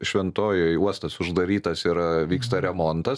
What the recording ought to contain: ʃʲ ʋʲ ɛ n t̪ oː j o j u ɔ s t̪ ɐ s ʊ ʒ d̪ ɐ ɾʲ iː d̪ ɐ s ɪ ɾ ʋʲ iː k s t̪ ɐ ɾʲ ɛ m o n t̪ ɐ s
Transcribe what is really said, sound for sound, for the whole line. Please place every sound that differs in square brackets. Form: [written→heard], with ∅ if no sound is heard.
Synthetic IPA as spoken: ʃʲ ʋʲ ɛ n t̪ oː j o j u ɔ s t̪ ɐ s ʊ ʒ d̪ ɐ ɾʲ iː [d̪→t̪] ɐ s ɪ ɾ ʋʲ iː k s t̪ ɐ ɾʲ ɛ m o n t̪ ɐ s